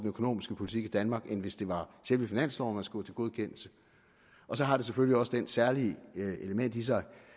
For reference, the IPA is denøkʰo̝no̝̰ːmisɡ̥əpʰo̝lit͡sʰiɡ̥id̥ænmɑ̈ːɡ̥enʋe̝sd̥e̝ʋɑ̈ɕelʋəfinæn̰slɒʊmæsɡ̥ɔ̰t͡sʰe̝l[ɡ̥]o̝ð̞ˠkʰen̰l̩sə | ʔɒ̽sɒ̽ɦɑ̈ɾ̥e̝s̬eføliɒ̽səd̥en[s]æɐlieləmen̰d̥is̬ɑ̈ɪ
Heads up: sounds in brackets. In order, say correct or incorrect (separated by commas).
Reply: correct, correct